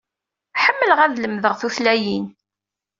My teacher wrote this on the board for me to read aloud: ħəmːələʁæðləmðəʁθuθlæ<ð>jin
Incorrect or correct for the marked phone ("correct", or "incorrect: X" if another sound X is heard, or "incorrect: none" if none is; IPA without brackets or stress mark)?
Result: incorrect: none